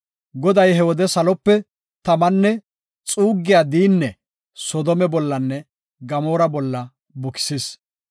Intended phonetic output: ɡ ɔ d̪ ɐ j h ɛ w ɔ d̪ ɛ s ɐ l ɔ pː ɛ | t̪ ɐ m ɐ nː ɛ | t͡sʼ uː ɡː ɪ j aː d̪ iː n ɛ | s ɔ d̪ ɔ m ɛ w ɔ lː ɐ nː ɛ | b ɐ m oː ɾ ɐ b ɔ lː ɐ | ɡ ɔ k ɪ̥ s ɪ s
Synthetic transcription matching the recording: ɡ ɔ d̪ ɐ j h ɛ w ɔ d̪ ɛ s ɐ l ɔ pː ɛ | t̪ ɐ m ɐ nː ɛ | t͡sʼ uː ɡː ɪ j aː d̪ iː nː ɛ | s ɔ d̪ ɔ m ɛ b ɔ lː ɐ nː ɛ | ɡ ɐ m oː ɾ ɐ b ɔ lː ɐ | b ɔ k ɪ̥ s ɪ s